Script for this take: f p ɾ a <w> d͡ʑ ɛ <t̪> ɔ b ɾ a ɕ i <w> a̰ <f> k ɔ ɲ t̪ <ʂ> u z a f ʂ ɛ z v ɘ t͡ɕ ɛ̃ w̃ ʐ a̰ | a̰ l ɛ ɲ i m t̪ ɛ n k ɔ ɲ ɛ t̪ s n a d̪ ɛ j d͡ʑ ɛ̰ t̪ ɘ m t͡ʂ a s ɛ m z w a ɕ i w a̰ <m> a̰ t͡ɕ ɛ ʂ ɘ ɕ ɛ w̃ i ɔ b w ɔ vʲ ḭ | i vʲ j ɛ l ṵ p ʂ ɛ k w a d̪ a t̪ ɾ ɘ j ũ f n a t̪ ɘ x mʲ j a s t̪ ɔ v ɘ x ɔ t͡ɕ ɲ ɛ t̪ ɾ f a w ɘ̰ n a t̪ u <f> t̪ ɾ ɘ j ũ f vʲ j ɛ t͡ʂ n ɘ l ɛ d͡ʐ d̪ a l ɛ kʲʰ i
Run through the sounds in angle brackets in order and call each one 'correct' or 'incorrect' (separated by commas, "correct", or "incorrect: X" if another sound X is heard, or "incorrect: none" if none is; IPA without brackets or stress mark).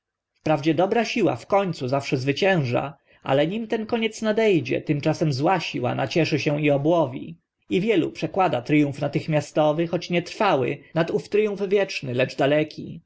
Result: incorrect: v, incorrect: d̪, correct, correct, incorrect: s, incorrect: n, correct